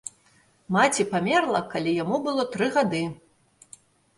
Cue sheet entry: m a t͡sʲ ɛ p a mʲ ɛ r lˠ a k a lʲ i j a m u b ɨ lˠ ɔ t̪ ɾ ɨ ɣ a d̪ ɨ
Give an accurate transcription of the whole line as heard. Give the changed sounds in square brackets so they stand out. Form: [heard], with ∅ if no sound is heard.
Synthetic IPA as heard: m a t͡sʲ [i] p a mʲ ɛ r lˠ [ɐ] k a lʲ i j a m u b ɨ lˠ ɔ t̪ ɾ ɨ ɣ a d̪ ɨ